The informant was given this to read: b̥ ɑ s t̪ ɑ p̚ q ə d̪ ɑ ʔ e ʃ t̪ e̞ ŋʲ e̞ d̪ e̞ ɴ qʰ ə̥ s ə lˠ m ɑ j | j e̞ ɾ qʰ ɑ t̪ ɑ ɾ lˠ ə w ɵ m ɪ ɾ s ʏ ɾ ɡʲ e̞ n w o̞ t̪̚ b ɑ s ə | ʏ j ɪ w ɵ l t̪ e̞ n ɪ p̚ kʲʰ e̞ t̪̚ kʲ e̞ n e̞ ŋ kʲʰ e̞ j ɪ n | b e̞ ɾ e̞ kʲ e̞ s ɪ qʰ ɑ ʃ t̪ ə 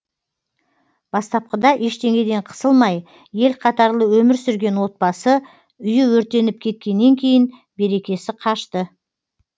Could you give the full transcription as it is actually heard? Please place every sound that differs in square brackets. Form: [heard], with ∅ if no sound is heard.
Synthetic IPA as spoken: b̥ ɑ s t̪ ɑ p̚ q ə d̪ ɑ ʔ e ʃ t̪ e̞ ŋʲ e̞ d̪ e̞ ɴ qʰ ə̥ s ə lˠ m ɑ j | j e̞ [l] qʰ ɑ t̪ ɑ ɾ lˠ ə w ɵ m ɪ ɾ s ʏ ɾ ɡʲ e̞ n w o̞ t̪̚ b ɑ s ə | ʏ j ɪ w ɵ [ɾ] t̪ e̞ n ɪ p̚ kʲʰ e̞ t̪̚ kʲ e̞ [nː] e̞ ŋ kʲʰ e̞ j ɪ n | b e̞ ɾ e̞ kʲ e̞ s ɪ qʰ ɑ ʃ t̪ ə

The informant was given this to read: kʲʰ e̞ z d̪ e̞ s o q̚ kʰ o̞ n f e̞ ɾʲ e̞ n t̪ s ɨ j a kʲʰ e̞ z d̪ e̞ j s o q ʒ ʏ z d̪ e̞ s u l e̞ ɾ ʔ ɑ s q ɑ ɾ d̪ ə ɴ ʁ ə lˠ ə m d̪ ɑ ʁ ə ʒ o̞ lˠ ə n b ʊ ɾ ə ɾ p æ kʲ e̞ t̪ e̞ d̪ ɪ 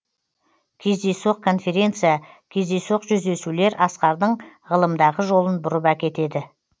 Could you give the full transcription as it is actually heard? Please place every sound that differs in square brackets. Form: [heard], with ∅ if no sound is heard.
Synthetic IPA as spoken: kʲʰ e̞ z d̪ e̞ s o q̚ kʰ o̞ n f e̞ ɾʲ e̞ n t̪ s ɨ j a kʲʰ e̞ z d̪ e̞ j s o q ʒ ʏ z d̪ e̞ s u l e̞ ɾ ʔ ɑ s q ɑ ɾ d̪ ə ɴ ʁ ə lˠ ə m d̪ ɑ ʁ ə ʒ o̞ lˠ ə n b ʊ ɾ ə [∅] p æ kʲ e̞ t̪ e̞ d̪ ɪ

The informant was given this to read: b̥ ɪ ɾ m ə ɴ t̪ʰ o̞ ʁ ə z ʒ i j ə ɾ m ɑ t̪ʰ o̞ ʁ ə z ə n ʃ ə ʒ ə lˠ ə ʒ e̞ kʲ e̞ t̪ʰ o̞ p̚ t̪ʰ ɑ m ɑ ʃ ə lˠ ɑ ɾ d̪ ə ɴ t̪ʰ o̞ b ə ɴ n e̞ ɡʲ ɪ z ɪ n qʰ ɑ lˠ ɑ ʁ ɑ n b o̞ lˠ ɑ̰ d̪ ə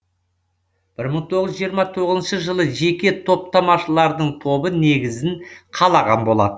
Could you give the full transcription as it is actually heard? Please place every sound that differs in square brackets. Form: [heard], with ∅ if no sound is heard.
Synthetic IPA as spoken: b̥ ɪ ɾ m ə ɴ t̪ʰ o̞ ʁ ə z ʒ i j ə ɾ m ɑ t̪ʰ o̞ ʁ ə z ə n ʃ ə ʒ ə lˠ ə ʒ e̞ kʲ e̞ t̪ʰ o̞ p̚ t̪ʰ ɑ m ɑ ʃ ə lˠ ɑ ɾ d̪ ə ɴ t̪ʰ o̞ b ə [∅] n e̞ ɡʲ ɪ z ɪ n qʰ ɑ lˠ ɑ ʁ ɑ n b o̞ lˠ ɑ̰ d̪ ə

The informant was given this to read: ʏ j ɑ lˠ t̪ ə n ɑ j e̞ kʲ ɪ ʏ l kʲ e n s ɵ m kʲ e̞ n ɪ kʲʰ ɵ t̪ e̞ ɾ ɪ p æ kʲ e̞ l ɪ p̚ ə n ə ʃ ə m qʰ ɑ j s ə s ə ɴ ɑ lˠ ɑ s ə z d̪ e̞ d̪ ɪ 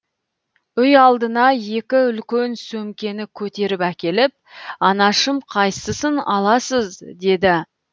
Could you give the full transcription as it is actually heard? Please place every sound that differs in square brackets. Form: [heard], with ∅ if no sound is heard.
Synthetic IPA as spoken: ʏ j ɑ lˠ [d̪] ə n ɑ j e̞ kʲ ɪ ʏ l kʲ e n s ɵ m kʲ e̞ n ɪ kʲʰ ɵ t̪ e̞ ɾ ɪ p æ kʲ e̞ l ɪ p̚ [ɑ] n [ɑ] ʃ ə m qʰ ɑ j s ə s ə [n] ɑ lˠ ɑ s ə z d̪ e̞ d̪ ɪ

